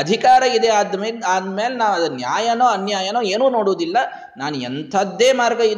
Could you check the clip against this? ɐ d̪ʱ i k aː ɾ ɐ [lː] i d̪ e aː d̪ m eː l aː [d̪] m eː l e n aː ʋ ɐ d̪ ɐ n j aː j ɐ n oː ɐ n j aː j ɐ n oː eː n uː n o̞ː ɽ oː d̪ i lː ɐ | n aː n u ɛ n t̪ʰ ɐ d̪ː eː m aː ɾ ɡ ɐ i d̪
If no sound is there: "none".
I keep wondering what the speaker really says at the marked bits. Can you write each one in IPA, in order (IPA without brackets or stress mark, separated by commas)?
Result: none, d̪